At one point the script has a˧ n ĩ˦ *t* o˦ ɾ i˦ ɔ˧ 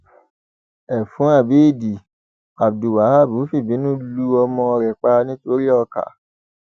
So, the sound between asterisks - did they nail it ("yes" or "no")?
yes